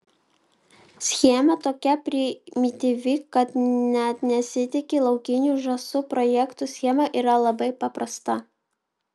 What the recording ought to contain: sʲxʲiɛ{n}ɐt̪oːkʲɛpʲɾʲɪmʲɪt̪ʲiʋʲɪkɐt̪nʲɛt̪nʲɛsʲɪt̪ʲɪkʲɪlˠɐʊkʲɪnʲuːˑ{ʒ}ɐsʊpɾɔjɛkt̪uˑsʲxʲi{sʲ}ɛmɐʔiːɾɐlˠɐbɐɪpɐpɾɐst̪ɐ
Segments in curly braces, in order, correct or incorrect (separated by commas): incorrect, correct, incorrect